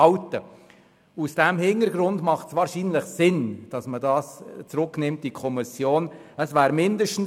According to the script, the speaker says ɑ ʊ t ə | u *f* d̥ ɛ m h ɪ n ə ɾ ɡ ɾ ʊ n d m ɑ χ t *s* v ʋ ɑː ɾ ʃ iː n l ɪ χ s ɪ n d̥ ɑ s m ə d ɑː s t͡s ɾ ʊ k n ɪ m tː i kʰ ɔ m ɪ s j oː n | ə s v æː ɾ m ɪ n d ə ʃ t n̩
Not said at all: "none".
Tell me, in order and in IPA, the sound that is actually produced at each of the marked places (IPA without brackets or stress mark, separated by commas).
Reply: s, s